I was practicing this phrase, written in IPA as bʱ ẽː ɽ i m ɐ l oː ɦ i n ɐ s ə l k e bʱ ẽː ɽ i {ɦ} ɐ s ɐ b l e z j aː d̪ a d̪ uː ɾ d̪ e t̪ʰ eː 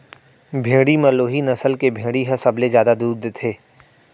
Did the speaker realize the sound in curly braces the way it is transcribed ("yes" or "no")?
yes